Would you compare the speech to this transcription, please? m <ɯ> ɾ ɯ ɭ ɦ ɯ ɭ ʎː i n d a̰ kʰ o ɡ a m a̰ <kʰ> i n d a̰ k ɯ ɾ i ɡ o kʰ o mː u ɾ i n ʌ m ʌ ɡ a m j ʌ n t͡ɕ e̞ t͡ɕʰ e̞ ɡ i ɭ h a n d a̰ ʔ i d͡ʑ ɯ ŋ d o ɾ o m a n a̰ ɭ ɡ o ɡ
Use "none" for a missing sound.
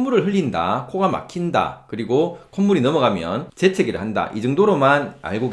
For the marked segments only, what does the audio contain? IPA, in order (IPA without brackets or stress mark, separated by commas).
u, kʰ